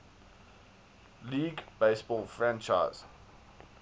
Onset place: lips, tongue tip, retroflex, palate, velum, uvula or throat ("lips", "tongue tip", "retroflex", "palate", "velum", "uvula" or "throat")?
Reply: tongue tip